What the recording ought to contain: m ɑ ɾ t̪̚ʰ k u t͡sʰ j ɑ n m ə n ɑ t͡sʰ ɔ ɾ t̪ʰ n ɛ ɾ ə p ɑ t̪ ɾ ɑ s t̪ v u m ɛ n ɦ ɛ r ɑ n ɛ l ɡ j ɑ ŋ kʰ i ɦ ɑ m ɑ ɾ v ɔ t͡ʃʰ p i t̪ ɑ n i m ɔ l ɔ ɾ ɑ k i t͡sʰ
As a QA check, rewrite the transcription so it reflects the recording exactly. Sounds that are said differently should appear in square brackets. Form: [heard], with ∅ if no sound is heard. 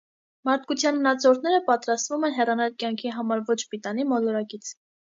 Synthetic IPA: m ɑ ɾ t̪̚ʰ k u t͡sʰ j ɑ n m ə n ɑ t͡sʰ ɔ ɾ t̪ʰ n ɛ ɾ ə p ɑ t̪ ɾ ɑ s t̪ v u m ɛ n ɦ ɛ r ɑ n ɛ l [k] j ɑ ŋ kʰ i ɦ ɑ m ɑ ɾ v ɔ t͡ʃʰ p i t̪ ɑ n i m ɔ l ɔ ɾ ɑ k i t͡sʰ